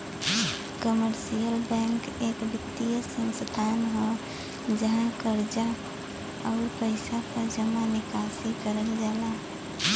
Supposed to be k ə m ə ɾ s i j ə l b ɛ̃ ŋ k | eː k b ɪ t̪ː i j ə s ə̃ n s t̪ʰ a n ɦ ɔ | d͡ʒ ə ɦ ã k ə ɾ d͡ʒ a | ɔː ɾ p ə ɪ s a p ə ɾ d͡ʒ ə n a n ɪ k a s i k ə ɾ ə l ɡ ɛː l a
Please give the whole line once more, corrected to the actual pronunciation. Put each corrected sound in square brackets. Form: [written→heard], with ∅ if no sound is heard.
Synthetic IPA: k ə m ə ɾ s i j ə l b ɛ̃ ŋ k | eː k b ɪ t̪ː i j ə s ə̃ n s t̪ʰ a n ɦ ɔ | d͡ʒ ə ɦ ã k ə ɾ d͡ʒ a | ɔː ɾ p ə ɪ s a p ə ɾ d͡ʒ ə [n→m] a n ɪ k a s i k ə ɾ ə l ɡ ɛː l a